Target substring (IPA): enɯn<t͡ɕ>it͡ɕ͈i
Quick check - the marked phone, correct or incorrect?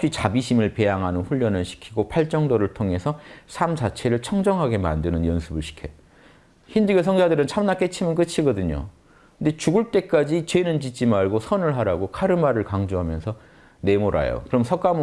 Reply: correct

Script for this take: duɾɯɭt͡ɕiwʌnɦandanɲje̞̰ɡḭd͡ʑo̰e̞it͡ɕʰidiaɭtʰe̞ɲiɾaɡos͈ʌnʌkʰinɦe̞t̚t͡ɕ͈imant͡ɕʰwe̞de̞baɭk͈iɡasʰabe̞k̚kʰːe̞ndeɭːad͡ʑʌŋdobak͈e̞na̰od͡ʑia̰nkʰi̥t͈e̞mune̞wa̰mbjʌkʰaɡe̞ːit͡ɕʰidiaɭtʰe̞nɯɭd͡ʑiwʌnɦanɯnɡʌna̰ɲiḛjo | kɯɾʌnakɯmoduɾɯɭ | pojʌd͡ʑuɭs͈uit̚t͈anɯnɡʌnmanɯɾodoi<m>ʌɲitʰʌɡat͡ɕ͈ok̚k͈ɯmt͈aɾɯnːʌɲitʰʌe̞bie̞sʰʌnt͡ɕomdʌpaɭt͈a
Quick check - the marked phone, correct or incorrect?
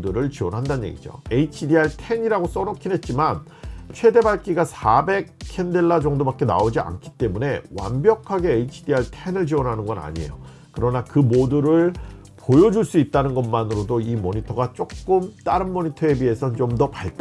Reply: correct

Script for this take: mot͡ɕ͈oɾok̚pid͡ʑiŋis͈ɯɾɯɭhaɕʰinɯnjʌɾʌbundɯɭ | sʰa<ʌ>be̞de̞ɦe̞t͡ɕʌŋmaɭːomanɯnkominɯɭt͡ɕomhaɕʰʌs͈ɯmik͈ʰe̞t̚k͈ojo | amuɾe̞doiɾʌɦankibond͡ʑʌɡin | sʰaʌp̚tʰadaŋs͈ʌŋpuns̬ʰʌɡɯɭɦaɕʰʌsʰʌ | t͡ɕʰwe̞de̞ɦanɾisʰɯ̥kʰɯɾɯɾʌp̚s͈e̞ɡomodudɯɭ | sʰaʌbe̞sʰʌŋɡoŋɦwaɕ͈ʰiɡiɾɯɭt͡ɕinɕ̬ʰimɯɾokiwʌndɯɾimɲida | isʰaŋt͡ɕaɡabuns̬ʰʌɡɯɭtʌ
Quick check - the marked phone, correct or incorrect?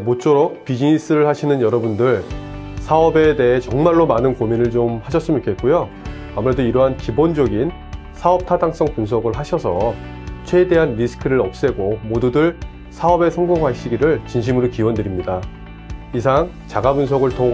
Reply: correct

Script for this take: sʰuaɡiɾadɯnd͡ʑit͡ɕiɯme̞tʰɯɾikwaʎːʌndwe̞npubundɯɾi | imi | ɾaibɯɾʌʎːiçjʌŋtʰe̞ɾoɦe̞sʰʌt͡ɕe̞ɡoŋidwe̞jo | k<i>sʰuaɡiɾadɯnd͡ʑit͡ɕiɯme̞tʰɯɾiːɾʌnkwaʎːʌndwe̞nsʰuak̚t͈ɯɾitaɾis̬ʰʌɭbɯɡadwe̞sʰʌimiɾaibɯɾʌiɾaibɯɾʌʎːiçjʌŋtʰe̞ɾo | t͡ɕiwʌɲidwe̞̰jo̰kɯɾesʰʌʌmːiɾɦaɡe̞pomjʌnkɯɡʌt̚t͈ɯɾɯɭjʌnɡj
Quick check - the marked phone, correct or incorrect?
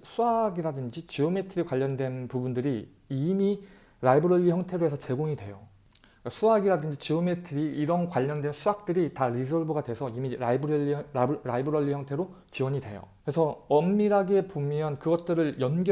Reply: incorrect: a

